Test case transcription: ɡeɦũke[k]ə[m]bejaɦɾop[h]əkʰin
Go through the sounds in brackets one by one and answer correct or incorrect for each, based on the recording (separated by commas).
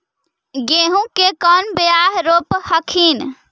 correct, incorrect, correct